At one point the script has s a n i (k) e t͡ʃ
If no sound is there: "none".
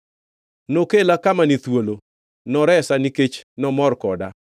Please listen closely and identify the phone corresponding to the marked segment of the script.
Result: k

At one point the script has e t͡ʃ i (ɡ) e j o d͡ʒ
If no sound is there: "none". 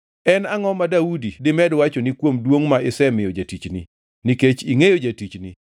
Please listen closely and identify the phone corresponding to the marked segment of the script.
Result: ŋ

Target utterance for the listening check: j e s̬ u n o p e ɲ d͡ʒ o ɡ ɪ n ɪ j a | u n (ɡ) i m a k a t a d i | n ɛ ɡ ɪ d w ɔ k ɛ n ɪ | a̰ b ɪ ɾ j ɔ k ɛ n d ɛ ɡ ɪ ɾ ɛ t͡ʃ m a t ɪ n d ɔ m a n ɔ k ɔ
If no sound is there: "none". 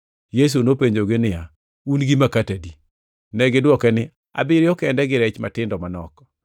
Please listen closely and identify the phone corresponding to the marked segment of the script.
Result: ɡ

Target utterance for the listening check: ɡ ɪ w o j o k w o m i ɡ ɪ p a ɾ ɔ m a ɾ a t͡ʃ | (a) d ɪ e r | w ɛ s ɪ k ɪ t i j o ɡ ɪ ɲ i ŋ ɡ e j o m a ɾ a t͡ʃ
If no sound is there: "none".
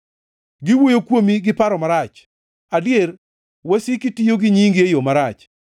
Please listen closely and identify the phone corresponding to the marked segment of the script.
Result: a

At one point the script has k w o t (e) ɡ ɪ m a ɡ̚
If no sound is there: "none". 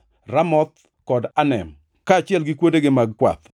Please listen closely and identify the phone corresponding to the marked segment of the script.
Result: e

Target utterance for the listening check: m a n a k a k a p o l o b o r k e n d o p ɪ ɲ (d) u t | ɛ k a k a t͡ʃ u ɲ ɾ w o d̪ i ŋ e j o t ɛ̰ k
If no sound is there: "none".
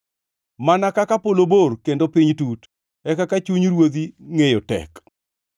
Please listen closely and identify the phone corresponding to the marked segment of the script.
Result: t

